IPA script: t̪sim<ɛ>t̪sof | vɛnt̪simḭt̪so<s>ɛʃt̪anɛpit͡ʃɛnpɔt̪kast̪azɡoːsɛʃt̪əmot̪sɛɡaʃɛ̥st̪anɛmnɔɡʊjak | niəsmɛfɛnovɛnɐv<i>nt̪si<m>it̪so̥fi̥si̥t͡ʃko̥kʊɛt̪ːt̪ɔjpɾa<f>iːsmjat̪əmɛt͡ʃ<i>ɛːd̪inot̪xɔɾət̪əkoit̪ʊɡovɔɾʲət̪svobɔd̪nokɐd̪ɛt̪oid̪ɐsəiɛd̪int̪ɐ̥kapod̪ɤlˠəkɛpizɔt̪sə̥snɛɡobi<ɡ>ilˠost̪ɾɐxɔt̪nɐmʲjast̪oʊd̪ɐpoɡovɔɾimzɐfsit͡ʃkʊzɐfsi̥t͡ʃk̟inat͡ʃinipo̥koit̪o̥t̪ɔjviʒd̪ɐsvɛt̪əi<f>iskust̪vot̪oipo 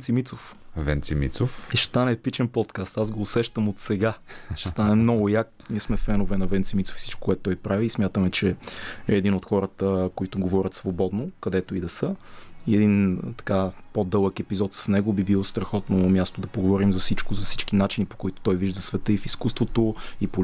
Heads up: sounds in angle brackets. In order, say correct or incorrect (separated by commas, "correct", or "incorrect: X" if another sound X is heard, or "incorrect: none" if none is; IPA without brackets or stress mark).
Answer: incorrect: i, incorrect: f, incorrect: ɛ, correct, incorrect: v, incorrect: ɛ, incorrect: b, correct